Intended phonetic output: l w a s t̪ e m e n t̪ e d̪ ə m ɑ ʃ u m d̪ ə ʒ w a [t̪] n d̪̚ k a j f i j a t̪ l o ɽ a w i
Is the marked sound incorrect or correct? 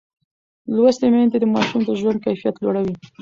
incorrect